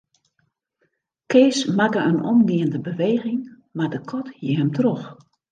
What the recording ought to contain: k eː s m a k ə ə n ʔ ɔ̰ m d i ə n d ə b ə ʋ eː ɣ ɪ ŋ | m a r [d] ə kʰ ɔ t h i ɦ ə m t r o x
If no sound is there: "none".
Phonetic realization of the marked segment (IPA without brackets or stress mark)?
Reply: d